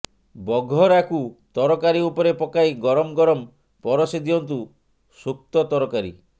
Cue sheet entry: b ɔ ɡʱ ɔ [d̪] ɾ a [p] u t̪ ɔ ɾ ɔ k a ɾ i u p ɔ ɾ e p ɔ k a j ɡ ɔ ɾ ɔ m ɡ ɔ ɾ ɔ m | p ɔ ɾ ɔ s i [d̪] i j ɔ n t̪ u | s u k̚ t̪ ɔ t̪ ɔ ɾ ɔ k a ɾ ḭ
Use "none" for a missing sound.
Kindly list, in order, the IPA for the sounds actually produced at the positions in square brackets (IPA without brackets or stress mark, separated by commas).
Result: none, k, d̪